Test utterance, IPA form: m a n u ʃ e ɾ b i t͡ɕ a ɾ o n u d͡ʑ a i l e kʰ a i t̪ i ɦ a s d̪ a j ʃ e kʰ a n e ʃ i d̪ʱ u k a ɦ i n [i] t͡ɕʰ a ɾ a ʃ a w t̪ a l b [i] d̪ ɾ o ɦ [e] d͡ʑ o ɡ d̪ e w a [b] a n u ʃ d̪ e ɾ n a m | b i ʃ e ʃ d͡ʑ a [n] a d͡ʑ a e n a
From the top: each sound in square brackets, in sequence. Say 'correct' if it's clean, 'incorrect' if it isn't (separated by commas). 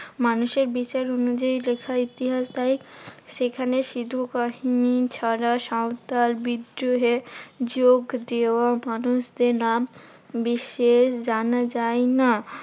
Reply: correct, correct, correct, incorrect, correct